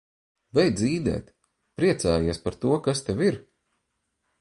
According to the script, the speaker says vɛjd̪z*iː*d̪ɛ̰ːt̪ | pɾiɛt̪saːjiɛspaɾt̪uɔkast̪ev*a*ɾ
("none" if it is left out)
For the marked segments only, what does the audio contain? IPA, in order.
iː, i

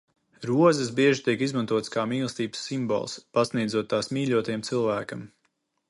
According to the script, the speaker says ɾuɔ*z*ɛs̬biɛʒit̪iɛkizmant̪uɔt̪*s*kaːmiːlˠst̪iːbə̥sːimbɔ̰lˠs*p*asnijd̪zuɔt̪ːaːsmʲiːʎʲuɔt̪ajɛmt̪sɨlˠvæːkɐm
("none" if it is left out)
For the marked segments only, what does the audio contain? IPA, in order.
z, s, p

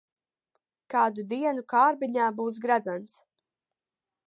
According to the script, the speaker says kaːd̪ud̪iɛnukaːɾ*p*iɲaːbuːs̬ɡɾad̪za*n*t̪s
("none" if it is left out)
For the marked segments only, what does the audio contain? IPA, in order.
b, n

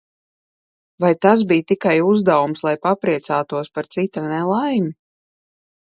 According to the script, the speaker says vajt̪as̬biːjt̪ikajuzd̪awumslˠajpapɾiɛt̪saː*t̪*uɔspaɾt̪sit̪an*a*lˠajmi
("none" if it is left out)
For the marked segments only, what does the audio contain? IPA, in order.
t̪, ɛ

